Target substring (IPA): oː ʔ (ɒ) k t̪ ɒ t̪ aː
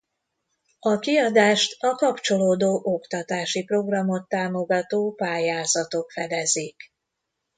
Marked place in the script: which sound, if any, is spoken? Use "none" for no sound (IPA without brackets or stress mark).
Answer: o